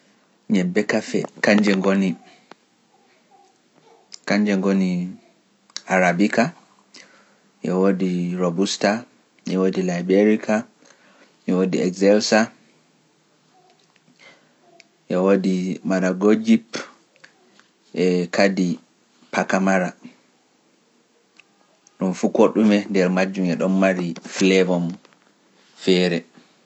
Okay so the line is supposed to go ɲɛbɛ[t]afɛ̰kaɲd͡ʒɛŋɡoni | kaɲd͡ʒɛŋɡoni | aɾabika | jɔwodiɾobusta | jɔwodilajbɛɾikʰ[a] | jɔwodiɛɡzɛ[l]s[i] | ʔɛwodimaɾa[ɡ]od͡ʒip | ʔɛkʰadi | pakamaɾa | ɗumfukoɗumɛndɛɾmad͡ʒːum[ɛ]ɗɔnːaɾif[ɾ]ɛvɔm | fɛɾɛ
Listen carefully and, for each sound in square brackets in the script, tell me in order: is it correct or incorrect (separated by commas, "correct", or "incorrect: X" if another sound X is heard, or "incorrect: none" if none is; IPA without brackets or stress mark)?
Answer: incorrect: k, correct, correct, incorrect: a, correct, correct, incorrect: l